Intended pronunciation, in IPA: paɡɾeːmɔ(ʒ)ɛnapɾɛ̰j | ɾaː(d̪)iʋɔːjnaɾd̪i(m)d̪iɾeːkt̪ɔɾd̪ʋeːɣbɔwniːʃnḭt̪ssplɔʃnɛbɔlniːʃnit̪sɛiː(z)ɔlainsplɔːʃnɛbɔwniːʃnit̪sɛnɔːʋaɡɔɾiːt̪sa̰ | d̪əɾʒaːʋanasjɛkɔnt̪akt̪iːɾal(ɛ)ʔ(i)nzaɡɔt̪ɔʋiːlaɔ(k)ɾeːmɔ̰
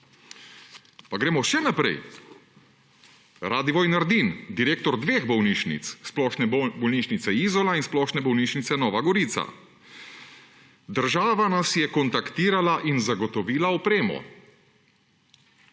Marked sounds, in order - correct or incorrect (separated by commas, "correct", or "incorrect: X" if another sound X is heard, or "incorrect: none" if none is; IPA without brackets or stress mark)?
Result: incorrect: ʃ, correct, incorrect: n, correct, incorrect: a, correct, incorrect: p